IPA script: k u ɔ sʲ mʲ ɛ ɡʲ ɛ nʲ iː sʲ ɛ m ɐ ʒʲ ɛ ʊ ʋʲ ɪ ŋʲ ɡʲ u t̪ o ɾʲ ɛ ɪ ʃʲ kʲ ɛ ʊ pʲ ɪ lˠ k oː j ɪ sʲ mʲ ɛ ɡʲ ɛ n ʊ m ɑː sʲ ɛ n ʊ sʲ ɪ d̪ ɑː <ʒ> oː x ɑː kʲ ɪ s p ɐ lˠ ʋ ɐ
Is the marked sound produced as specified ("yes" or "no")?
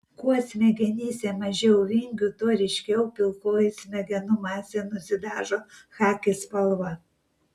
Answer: yes